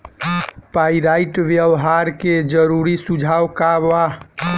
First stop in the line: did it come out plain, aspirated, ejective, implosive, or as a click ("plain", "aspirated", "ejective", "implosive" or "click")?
plain